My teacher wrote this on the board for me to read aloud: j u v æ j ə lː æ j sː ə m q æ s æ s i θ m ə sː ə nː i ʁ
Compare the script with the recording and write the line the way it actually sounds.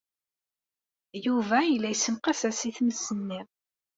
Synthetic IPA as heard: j u v æ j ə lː æ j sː ə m q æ s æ s i θ m ə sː ə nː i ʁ